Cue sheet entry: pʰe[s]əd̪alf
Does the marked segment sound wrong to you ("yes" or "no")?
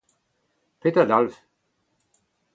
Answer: yes